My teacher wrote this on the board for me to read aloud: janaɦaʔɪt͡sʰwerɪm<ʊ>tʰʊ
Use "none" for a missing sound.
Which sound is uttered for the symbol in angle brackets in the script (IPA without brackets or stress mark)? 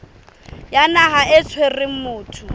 ʊː